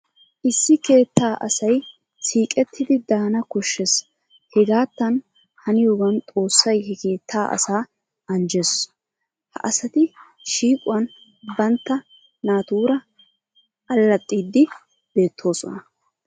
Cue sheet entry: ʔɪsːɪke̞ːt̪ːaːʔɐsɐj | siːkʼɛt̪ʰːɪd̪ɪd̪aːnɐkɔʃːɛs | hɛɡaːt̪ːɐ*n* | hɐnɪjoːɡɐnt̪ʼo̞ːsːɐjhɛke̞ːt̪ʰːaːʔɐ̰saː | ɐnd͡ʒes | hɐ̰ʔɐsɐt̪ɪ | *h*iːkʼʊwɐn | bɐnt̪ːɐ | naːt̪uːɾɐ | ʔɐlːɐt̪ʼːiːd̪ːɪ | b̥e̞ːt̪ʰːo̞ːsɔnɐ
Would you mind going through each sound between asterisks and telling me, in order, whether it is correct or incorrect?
correct, incorrect: ʃ

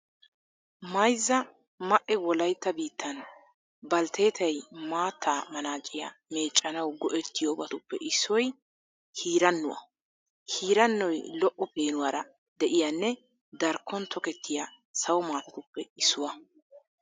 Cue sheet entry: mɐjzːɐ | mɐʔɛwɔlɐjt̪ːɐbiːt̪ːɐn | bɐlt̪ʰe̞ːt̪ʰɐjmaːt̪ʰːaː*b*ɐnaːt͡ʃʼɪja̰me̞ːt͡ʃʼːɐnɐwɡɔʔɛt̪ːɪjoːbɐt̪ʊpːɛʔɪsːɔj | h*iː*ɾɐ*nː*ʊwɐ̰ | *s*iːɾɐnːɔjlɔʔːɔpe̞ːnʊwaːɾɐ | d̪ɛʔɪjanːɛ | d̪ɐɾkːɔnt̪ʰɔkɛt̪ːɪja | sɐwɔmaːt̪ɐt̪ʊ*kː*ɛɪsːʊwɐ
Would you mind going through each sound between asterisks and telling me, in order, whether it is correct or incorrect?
incorrect: m, correct, correct, incorrect: h, incorrect: pː

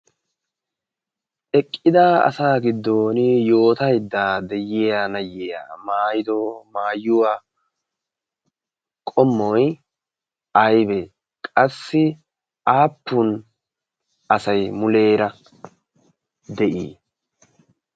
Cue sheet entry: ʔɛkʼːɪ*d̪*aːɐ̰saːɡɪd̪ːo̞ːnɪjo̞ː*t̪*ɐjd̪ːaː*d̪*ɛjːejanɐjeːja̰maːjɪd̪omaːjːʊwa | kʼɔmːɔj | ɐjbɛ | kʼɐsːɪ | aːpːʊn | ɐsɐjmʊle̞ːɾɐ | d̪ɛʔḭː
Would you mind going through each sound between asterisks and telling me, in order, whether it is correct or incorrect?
correct, correct, correct

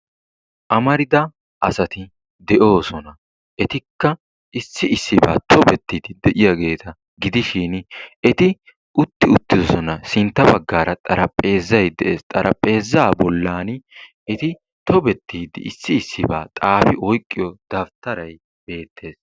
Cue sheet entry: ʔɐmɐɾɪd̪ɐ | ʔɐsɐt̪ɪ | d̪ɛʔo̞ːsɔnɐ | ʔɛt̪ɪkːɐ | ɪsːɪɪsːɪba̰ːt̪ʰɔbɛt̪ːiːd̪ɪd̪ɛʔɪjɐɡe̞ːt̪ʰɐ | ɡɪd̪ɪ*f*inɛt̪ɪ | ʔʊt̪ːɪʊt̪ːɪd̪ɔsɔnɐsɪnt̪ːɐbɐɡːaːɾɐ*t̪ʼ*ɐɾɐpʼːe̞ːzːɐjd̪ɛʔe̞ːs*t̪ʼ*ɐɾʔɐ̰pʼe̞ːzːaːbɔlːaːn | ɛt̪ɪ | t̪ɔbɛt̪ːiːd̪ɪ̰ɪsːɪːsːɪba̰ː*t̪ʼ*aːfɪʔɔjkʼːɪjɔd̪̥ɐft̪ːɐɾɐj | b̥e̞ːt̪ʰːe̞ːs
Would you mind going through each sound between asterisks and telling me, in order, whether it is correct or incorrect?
incorrect: ʃ, correct, correct, correct

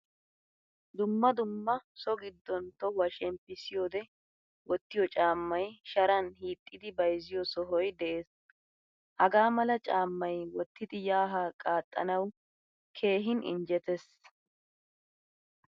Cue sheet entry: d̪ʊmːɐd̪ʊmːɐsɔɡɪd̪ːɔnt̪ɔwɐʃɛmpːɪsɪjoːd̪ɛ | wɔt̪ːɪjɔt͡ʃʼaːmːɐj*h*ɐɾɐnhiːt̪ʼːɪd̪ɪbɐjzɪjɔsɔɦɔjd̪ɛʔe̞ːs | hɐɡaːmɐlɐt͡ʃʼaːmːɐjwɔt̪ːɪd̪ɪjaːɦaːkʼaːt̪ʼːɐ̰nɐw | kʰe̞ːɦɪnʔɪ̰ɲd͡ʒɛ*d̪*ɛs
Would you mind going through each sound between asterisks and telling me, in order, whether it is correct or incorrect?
incorrect: ʃ, incorrect: t̪

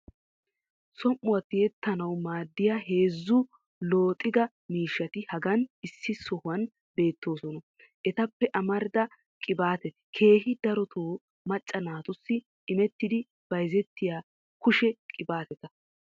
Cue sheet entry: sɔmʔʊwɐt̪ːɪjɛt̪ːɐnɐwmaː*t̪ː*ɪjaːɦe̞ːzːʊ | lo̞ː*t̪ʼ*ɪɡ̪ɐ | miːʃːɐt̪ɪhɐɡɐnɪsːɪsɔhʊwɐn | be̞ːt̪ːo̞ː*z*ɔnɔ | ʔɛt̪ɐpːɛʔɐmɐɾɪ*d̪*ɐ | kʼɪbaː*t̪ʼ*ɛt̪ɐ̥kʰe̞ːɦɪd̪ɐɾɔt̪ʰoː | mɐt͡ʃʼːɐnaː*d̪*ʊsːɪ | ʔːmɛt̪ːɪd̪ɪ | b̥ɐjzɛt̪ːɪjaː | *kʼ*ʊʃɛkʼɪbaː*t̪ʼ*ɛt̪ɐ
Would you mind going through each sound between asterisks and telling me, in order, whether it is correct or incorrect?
incorrect: d̪ː, correct, incorrect: s, correct, incorrect: t̪, incorrect: t̪, incorrect: k, incorrect: t̪

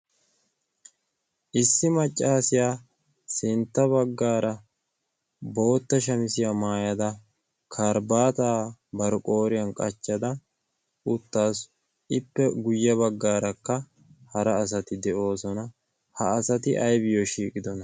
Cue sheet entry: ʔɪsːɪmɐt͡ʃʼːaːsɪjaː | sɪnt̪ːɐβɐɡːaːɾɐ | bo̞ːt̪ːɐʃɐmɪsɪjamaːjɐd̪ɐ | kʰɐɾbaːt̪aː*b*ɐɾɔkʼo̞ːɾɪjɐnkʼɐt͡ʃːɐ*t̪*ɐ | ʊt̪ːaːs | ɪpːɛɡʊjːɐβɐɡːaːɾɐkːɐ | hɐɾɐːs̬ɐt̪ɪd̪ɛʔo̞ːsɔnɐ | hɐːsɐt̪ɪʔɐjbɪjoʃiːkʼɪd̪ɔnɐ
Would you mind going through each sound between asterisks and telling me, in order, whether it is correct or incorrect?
correct, incorrect: d̪

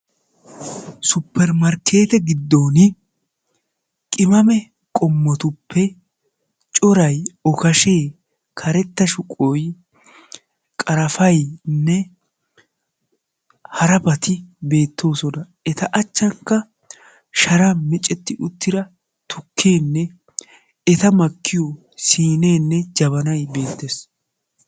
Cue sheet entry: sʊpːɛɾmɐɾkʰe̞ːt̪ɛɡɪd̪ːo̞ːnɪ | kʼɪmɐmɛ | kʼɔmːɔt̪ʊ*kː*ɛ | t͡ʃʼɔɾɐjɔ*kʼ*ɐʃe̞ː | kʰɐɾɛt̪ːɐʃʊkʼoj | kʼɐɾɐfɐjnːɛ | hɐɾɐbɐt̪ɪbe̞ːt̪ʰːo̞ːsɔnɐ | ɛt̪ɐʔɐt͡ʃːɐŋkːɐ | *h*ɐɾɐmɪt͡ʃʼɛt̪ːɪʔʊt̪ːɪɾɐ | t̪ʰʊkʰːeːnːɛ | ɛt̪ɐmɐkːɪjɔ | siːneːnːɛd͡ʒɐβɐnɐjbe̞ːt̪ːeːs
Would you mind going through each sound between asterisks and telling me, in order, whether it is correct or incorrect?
incorrect: pː, incorrect: k, incorrect: ʃ

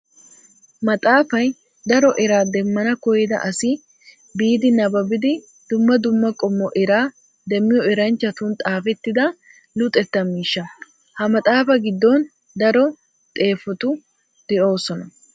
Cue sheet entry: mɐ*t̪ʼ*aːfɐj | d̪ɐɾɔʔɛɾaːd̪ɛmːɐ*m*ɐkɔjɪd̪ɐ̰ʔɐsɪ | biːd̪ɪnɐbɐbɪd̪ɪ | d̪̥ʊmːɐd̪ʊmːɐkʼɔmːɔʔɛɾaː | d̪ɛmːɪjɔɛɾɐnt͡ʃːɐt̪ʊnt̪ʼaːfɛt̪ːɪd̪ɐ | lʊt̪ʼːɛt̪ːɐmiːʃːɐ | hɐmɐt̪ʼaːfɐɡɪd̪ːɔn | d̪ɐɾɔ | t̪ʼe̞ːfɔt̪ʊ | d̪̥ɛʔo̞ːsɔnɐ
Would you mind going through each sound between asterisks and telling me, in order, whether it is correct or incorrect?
correct, incorrect: n

